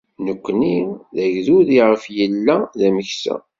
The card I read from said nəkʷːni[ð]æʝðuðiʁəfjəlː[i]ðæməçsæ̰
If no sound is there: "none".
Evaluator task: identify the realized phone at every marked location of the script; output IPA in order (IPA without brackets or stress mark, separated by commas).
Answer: ð, æ